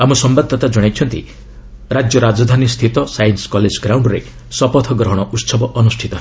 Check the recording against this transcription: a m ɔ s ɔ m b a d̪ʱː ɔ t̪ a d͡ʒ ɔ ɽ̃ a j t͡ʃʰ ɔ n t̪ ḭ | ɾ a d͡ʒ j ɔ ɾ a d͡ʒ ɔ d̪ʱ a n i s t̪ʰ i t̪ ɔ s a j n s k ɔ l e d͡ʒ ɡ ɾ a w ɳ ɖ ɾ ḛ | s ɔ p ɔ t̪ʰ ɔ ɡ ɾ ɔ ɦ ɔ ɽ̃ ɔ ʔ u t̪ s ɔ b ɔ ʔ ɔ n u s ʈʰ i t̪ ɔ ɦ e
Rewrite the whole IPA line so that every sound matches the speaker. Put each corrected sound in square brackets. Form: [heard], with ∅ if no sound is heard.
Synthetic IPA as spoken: a m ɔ s ɔ m b a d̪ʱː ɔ t̪ a d͡ʒ ɔ ɽ̃ a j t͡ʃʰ ɔ n t̪ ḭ | ɾ a d͡ʒ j ɔ ɾ a d͡ʒ ɔ d̪ʱ a n i s t̪ʰ i t̪ ɔ s a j n s k ɔ l e d͡ʒ ɡ ɾ a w ɳ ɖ ɾ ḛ | s ɔ p ɔ t̪ʰ ɔ ɡ ɾ ɔ ɦ ɔ ɽ̃ ɔ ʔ u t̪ s ɔ b ɔ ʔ ɔ n u s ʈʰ i t̪ ɔ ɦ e